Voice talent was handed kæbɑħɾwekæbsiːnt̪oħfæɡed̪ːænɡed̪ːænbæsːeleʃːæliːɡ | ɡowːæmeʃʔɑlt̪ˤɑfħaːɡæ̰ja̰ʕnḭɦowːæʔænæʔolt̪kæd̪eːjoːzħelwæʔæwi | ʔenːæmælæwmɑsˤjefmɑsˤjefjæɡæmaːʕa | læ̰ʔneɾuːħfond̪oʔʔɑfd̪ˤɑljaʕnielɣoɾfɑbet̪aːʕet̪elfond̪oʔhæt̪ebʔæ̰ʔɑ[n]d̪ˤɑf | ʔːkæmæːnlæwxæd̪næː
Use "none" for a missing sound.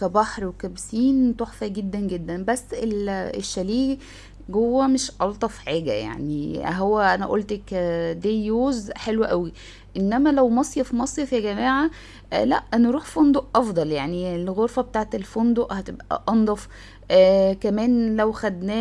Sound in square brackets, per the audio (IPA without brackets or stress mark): n